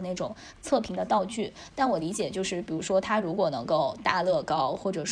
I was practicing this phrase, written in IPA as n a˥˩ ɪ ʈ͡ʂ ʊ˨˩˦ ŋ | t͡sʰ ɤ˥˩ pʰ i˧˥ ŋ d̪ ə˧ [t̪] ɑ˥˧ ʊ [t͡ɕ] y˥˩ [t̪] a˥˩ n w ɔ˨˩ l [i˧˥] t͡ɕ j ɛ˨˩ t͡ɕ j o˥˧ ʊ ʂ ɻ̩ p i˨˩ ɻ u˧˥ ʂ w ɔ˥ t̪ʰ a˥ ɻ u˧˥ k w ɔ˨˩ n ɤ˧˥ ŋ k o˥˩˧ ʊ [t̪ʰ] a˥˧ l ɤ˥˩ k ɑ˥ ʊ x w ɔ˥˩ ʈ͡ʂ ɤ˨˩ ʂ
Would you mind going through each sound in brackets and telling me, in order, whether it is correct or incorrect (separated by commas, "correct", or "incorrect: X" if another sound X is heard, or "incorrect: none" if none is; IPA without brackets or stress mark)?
correct, correct, correct, correct, incorrect: t̪